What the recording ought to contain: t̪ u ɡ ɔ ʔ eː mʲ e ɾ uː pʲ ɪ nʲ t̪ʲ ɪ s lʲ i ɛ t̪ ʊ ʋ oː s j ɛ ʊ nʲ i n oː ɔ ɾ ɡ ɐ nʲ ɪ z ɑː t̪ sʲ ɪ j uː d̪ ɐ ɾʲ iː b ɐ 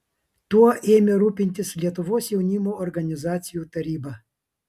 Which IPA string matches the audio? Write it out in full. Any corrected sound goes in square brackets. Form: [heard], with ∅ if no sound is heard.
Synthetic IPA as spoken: t̪ u [∅] ɔ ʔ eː mʲ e ɾ uː pʲ ɪ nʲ t̪ʲ ɪ s lʲ i ɛ t̪ ʊ ʋ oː s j ɛ ʊ nʲ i [m] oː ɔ ɾ ɡ ɐ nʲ ɪ z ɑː t̪ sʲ ɪ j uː [t̪] ɐ ɾʲ iː b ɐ